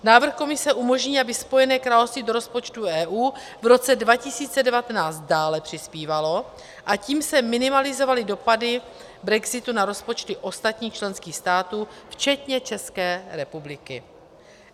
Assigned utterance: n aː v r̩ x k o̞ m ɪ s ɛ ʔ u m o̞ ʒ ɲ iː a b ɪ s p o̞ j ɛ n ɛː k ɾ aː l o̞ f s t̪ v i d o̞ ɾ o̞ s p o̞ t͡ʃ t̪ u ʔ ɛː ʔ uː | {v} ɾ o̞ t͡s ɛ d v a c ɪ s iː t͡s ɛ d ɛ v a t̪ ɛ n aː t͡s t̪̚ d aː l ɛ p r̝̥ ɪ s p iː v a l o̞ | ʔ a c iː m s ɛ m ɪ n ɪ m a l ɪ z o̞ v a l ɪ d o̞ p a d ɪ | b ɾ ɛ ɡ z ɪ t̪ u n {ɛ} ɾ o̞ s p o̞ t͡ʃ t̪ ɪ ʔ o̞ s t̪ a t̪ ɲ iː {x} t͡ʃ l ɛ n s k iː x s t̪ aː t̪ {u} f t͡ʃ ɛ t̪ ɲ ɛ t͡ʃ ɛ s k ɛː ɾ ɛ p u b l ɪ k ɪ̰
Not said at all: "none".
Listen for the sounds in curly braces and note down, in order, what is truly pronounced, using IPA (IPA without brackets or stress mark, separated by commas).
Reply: v, a, x, uː